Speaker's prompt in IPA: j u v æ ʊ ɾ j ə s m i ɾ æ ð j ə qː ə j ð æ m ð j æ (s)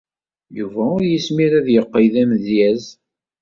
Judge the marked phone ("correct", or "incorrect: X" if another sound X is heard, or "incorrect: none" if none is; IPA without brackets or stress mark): incorrect: z